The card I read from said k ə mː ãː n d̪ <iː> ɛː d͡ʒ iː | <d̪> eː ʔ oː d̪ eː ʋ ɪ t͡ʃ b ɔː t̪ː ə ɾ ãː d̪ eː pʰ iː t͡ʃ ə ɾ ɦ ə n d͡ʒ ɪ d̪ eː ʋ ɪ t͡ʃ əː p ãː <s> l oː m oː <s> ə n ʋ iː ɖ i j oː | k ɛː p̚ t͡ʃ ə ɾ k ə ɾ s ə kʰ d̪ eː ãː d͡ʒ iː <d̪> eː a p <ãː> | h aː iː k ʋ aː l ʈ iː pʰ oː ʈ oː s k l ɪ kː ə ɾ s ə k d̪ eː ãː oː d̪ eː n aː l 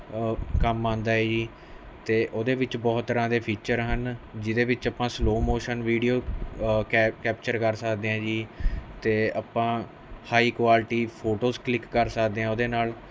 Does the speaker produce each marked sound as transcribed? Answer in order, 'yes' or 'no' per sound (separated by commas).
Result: no, no, yes, no, no, yes